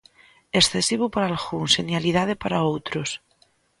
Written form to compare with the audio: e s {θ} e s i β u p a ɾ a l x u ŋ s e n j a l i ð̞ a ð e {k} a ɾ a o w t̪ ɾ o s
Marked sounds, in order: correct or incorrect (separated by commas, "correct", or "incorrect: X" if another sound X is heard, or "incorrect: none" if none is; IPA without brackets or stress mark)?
correct, incorrect: p